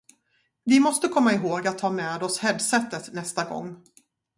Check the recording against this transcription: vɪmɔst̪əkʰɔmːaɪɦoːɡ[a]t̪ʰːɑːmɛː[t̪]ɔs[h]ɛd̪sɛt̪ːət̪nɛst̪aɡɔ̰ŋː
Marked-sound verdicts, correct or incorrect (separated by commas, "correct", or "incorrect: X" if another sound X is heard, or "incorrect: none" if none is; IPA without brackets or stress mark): correct, incorrect: d̪, correct